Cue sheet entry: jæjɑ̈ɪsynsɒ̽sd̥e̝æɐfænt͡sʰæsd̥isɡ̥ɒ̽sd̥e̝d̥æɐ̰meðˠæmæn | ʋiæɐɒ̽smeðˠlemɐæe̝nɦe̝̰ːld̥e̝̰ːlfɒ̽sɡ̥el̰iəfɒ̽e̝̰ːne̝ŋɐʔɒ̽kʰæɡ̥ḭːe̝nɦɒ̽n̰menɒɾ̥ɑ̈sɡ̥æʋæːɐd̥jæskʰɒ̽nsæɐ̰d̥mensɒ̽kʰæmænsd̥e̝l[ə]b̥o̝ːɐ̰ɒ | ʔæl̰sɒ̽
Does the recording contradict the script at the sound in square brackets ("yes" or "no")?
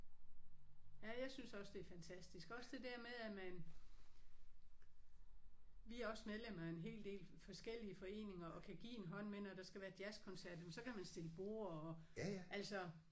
no